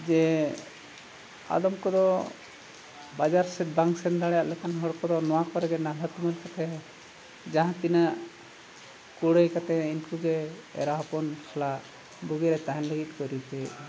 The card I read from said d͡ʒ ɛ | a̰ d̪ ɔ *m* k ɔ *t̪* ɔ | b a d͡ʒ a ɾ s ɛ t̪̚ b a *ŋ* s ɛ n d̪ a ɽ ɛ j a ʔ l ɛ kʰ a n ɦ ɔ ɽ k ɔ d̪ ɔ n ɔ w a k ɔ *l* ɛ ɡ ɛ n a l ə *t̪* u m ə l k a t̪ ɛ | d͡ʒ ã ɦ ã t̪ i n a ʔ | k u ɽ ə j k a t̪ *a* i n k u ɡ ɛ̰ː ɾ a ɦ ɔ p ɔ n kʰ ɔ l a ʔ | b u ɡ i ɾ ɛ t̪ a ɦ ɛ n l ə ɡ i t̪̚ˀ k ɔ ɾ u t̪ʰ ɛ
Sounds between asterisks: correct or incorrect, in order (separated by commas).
correct, incorrect, correct, incorrect, correct, incorrect